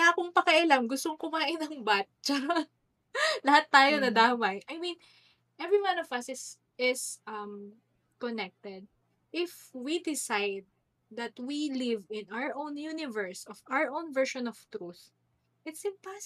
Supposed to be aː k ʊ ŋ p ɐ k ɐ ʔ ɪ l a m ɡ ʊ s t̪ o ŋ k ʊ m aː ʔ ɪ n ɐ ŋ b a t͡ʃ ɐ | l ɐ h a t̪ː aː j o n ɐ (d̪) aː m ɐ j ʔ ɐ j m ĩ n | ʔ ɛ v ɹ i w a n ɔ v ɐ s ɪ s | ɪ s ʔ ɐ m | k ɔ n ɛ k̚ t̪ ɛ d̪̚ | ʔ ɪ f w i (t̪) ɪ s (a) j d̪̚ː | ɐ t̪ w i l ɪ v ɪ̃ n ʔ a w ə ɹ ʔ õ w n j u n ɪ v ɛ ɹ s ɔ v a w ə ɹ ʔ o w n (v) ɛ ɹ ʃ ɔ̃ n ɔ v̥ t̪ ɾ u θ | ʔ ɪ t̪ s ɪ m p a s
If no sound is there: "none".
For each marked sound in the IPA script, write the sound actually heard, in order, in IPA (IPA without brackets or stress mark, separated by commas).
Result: d̪, d̪, a, v